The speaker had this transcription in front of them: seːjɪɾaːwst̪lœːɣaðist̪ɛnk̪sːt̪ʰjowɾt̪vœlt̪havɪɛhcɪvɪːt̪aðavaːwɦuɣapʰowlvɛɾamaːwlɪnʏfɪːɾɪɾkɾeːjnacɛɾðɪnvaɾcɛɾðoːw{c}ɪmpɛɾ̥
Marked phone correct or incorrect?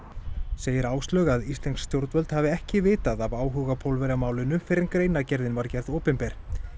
incorrect